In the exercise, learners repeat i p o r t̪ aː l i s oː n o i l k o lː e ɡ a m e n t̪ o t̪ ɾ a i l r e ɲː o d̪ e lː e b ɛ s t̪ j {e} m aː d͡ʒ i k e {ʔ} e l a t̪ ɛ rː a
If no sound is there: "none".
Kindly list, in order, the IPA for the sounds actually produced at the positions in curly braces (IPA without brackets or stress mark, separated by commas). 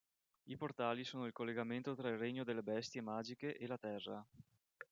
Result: e, ʔ